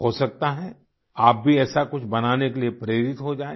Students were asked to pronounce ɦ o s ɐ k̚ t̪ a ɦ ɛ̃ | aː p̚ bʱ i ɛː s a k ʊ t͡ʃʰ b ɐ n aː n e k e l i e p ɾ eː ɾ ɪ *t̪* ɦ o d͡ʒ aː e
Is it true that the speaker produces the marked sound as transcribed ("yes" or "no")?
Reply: yes